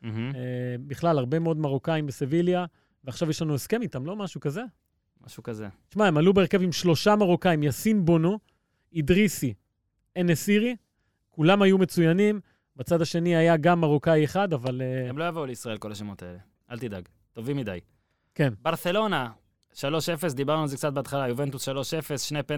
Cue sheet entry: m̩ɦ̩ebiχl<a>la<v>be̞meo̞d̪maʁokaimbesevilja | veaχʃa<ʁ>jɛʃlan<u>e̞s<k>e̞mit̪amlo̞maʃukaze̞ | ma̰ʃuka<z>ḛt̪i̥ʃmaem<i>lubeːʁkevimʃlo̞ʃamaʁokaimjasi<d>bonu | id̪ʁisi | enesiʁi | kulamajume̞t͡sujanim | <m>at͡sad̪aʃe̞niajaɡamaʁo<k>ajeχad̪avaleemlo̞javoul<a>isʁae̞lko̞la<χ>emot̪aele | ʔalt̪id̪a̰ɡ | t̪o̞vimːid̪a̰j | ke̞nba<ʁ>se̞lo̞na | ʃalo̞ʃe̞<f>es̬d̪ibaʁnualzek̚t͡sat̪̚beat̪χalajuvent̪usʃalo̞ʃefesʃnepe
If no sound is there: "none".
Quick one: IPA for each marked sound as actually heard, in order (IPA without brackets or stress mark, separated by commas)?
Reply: a, ʁ, v, u, k, z, a, n, b, k, e, ʃ, ʁ, f